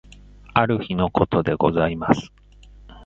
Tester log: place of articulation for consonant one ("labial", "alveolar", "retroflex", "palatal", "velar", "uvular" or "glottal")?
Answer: alveolar